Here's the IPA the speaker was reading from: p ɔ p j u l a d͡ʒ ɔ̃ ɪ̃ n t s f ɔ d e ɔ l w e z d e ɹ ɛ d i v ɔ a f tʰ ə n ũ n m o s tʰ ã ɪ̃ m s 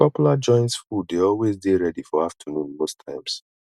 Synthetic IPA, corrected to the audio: p ɔ p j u l a d͡ʒ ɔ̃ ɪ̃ n t s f u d e ɔ l w e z d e ɹ ɛ d i f ɔ a f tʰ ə n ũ n m o s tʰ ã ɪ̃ m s